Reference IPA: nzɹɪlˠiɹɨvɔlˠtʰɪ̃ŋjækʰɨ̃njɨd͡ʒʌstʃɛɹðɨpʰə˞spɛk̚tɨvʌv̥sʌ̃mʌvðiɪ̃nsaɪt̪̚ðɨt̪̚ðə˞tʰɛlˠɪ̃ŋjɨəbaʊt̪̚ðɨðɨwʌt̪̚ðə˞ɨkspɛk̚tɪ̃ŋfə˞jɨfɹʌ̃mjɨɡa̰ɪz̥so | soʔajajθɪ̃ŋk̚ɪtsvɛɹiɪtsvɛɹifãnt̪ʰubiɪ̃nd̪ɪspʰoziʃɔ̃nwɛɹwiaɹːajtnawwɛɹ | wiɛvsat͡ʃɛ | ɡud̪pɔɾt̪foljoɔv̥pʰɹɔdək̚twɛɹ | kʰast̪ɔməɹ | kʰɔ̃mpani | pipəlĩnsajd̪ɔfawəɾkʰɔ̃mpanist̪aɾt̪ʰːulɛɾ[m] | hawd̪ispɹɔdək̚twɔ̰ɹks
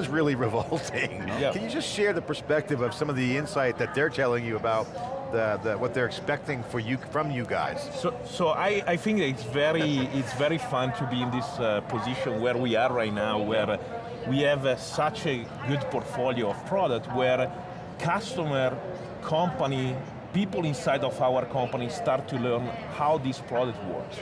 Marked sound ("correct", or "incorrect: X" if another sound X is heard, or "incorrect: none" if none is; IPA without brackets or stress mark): incorrect: n